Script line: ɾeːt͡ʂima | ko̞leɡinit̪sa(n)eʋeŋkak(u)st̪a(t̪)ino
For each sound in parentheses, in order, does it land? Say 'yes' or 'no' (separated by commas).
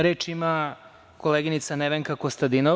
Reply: yes, no, no